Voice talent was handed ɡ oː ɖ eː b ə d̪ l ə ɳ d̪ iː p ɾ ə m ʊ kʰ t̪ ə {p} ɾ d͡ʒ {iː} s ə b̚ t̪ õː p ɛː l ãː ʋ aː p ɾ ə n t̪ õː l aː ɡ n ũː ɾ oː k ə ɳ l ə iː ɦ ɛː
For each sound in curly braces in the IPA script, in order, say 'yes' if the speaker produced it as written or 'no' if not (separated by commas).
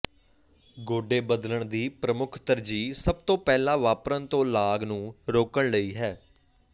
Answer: no, yes